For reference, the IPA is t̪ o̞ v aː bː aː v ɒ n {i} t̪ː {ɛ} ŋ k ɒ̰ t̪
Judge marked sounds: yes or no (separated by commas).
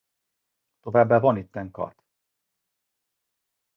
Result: yes, yes